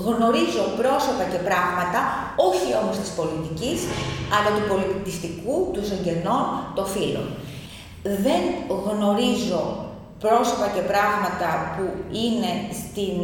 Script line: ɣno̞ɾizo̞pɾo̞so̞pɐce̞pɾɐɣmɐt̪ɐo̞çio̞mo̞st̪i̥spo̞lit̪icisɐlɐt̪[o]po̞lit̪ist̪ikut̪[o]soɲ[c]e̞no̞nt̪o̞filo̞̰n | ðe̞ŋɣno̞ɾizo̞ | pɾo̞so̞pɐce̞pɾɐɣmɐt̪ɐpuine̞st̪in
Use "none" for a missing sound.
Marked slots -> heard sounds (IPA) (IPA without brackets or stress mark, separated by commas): u, u, ɟ